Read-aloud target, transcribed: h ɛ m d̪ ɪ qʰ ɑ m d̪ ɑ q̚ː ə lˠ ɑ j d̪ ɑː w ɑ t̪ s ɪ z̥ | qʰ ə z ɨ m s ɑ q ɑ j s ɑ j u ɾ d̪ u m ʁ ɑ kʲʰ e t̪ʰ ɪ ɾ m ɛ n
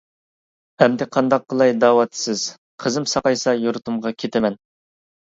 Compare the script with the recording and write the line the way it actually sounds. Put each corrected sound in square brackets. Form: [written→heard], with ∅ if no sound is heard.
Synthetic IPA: h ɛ m d̪ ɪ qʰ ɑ [m→n] d̪ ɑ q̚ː ə lˠ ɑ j d̪ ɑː w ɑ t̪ s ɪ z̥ | qʰ ə z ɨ m s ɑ q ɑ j s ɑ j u ɾ [d̪→t̪] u m ʁ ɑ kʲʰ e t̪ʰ ɪ [ɾ→∅] m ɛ n